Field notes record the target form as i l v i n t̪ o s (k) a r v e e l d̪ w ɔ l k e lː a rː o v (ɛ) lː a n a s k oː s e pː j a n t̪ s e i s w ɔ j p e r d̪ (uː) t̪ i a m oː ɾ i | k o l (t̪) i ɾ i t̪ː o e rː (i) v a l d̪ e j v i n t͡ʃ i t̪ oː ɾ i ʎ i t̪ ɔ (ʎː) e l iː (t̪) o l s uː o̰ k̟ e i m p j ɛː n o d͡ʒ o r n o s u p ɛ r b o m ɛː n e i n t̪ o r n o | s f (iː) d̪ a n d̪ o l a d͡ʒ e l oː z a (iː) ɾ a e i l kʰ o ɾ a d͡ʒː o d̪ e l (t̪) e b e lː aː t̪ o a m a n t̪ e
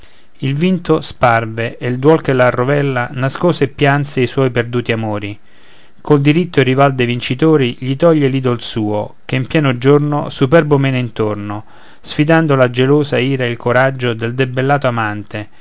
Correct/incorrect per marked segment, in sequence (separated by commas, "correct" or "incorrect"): incorrect, correct, correct, incorrect, correct, correct, incorrect, incorrect, correct, incorrect